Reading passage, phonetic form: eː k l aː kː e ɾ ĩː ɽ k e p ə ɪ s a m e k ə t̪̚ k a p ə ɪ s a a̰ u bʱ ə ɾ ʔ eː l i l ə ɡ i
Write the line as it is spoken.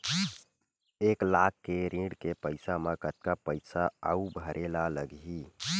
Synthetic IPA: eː k l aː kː e ɾ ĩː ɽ k e p ə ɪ s a m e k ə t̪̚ k a p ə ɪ s a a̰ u bʱ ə ɾ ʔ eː l a l ə ɡ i